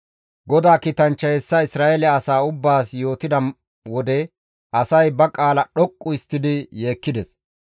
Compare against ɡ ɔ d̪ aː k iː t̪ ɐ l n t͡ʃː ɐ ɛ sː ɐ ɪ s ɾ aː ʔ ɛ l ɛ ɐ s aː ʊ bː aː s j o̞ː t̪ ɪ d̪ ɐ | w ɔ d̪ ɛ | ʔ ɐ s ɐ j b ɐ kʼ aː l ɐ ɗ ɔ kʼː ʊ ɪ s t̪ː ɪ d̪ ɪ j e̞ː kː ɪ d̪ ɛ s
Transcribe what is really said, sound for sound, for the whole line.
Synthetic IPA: ɡ ɔ d̪ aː k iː t̪ ɐ n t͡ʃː ɐ ɛ sː ɐ ɪ s ɾ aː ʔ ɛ l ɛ ɐ s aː ʊ bː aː s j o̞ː t̪ ɪ d̪ ɐ | w ɔ d̪ ɛ | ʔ ɐ s ɐ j b ɐ kʼ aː l ɐ ɗ ɔ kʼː ʊ ɪ s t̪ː ɪ d̪ ɪ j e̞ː kː ɪ d̪ ɛ s